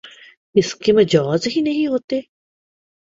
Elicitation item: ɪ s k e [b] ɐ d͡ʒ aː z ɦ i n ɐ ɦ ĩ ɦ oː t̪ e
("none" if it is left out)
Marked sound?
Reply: m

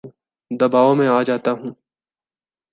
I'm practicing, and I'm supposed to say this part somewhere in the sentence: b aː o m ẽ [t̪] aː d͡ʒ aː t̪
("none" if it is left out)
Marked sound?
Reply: none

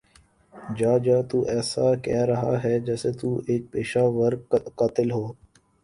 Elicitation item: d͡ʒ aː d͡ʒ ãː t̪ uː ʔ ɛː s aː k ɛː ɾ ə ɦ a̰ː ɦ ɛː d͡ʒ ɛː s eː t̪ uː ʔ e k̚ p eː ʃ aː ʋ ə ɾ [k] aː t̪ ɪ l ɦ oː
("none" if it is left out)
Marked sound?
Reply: k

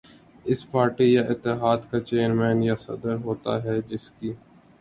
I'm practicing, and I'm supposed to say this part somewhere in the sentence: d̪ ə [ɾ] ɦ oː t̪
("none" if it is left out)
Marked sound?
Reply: ɾ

